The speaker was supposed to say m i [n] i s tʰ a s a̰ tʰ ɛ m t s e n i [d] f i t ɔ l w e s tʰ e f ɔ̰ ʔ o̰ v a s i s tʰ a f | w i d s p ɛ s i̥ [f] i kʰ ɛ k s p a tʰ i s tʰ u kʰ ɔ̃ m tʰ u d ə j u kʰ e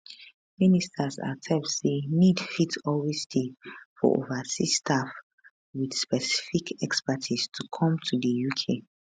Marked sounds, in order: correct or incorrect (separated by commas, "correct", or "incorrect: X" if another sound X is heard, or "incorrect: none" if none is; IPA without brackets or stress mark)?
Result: correct, correct, correct